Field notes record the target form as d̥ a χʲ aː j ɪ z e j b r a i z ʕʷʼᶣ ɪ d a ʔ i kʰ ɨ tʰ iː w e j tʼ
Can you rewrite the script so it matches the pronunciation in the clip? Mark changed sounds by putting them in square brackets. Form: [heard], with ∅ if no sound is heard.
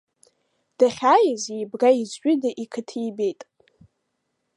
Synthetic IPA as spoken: d̥ a χʲ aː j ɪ z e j b r a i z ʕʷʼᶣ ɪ d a ʔ i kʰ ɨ tʰ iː [b] e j tʼ